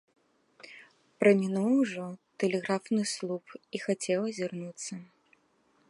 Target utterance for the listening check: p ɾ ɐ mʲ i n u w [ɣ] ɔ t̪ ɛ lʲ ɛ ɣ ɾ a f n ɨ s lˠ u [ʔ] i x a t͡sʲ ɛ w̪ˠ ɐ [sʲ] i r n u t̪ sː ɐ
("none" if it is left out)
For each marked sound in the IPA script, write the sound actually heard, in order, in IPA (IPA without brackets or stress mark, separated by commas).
ʐ, p, zʲ